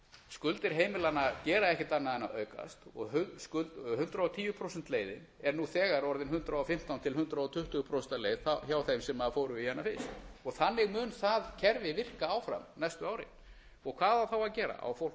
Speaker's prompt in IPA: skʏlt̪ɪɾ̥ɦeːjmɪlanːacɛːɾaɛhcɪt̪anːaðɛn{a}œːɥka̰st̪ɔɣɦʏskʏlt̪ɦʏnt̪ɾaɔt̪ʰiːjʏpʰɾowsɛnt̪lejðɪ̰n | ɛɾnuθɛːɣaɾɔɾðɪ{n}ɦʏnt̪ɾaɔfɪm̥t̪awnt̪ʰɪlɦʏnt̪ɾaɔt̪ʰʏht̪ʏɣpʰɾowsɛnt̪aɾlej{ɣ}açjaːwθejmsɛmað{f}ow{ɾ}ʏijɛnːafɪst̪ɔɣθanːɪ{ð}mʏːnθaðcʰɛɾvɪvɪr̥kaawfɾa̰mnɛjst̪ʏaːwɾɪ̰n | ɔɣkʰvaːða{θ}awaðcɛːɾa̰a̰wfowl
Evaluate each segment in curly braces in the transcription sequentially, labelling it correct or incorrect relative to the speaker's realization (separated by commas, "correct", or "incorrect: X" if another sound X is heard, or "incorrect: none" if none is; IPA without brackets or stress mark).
correct, correct, incorrect: ð, correct, correct, incorrect: ɣ, correct